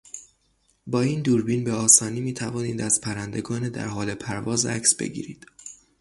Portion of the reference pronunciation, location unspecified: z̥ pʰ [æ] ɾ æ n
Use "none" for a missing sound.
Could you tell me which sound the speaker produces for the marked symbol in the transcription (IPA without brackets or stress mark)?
æ